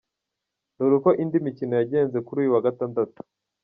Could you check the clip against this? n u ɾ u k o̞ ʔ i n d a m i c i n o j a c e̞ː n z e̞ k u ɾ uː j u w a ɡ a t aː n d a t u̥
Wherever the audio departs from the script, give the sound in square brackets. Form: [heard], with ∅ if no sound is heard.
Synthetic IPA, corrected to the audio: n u ɾ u k o̞ ʔ i n d [i] m i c i n o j a [ɟ] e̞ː n z e̞ k u ɾ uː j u w a ɡ a t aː n d a t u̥